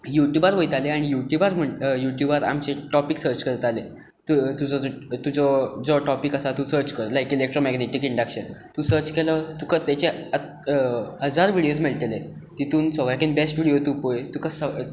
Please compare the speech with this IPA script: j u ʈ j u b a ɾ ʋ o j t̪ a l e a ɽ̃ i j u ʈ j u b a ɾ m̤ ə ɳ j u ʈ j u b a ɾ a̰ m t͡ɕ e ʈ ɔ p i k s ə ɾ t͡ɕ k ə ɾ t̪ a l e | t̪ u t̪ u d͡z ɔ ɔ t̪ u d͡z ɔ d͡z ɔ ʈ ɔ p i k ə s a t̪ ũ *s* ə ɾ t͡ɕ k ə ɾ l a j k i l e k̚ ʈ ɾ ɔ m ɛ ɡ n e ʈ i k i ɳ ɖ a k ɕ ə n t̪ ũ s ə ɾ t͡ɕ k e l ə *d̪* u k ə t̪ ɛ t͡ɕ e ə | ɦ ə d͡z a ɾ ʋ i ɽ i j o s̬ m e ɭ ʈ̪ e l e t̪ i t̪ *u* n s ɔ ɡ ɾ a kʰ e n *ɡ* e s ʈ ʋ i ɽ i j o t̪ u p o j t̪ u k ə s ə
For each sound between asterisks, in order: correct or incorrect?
correct, incorrect: t̪, incorrect: uː, incorrect: b

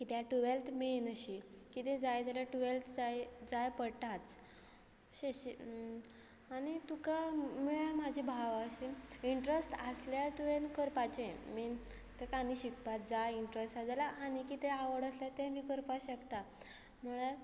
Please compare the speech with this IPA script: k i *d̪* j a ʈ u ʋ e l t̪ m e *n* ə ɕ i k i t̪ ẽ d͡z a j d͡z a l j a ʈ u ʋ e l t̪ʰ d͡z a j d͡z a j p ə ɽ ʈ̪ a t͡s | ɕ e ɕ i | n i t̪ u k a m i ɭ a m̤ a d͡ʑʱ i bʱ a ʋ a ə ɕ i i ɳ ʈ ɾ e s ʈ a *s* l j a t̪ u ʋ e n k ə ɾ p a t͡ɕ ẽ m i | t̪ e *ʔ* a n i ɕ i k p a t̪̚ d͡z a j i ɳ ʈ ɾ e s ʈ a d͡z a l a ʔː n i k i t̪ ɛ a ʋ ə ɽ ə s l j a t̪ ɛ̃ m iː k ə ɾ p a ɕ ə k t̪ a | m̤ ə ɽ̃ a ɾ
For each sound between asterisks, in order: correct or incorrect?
incorrect: t̪, correct, correct, incorrect: k

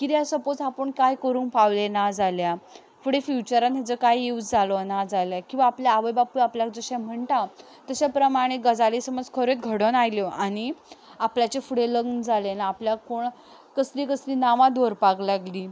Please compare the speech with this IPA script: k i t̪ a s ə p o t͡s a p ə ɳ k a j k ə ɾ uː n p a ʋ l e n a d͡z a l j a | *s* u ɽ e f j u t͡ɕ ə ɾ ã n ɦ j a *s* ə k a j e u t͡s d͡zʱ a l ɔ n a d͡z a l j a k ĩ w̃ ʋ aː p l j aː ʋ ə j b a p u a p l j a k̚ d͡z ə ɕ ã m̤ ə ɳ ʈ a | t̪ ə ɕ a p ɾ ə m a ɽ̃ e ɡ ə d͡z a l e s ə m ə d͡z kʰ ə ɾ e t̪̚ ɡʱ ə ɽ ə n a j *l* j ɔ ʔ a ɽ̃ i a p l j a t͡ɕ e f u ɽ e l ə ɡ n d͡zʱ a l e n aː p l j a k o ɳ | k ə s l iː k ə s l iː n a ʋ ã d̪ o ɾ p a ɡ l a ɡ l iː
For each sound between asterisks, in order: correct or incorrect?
incorrect: f, incorrect: t͡s, correct

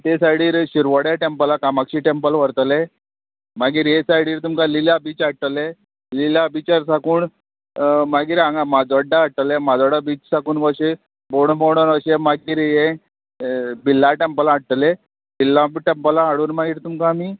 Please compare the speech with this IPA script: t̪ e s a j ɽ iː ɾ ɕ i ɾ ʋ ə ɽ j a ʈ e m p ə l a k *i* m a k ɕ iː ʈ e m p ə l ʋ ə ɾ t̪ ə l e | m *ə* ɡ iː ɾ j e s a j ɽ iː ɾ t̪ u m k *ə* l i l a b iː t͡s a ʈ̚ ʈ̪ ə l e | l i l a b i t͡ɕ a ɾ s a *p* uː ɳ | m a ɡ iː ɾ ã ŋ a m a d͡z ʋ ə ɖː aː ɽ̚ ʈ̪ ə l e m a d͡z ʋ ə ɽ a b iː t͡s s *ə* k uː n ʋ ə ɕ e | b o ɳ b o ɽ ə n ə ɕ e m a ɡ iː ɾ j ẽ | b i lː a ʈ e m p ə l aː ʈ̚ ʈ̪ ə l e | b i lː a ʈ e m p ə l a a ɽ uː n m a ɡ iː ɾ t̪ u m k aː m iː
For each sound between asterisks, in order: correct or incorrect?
incorrect: a, incorrect: a, incorrect: a, incorrect: k, incorrect: a

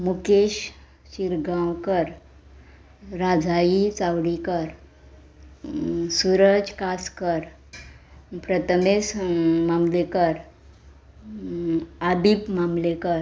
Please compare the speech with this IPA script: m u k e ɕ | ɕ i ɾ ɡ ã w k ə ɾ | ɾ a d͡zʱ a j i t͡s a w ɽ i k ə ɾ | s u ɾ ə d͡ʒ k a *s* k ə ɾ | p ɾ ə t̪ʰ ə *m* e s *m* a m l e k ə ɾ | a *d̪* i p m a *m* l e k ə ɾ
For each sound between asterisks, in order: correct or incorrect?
correct, correct, correct, correct, correct

